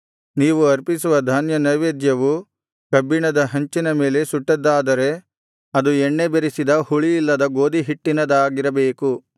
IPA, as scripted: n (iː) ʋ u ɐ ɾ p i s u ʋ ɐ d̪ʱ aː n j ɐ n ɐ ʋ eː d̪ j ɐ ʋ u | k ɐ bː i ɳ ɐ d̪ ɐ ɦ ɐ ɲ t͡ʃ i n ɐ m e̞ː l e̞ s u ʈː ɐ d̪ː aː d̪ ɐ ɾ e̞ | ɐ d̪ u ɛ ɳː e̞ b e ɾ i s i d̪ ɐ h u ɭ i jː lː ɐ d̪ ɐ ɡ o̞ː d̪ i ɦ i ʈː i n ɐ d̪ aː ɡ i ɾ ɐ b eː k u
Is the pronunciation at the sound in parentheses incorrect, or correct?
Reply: correct